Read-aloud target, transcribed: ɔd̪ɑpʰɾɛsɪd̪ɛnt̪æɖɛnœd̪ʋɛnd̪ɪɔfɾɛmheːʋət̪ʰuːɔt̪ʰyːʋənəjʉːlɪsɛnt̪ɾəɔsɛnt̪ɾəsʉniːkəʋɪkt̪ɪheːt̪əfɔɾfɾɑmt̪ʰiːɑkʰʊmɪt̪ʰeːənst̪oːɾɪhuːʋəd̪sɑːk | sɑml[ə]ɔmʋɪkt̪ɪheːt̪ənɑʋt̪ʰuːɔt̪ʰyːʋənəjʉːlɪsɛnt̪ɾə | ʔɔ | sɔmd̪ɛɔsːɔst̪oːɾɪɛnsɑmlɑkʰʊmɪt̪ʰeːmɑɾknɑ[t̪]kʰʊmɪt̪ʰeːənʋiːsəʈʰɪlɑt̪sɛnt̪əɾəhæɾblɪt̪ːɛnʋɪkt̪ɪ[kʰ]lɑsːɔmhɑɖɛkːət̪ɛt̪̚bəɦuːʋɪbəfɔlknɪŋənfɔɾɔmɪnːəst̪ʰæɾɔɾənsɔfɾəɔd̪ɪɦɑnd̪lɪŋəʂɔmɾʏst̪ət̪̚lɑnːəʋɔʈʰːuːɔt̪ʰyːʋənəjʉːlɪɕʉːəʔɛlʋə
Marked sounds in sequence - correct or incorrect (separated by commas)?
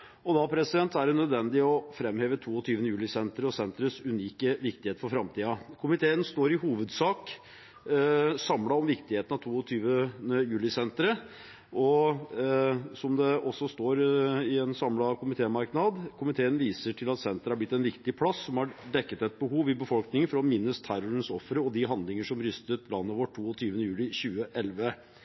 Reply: incorrect, incorrect, incorrect